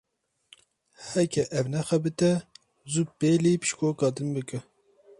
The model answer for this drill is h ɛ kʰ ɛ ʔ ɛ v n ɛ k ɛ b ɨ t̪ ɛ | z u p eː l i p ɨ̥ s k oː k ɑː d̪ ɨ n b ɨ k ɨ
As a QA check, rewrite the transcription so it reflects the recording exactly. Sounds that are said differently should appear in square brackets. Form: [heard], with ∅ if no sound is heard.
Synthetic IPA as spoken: h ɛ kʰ ɛ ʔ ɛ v n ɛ [x] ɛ b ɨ t̪ ɛ | z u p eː l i p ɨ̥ [ʃ] k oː k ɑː d̪ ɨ n b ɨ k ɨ